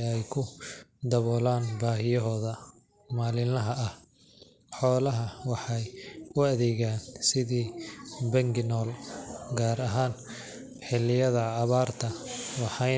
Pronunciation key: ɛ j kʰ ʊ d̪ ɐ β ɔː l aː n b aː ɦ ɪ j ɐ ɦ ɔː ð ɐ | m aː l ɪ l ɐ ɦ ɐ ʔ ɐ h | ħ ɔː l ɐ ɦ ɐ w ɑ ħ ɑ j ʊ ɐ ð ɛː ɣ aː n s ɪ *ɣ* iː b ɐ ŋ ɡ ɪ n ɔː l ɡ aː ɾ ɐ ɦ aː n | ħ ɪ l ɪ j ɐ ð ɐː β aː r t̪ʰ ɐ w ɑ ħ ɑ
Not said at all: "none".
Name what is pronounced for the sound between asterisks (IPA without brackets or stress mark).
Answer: ð